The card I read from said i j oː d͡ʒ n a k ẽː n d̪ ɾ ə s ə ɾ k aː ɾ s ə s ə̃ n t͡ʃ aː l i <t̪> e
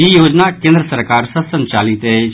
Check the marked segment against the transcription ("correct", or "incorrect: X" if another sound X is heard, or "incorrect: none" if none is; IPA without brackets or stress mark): correct